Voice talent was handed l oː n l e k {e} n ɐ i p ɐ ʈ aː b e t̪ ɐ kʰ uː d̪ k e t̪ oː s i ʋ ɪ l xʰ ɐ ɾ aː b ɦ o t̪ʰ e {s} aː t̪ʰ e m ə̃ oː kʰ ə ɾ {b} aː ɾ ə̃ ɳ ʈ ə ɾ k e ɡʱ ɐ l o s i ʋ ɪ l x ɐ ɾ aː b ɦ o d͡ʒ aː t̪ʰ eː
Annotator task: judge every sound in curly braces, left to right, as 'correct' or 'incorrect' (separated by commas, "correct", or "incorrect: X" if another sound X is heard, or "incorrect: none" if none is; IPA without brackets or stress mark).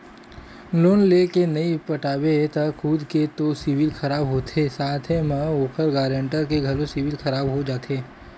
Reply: correct, correct, incorrect: ɡ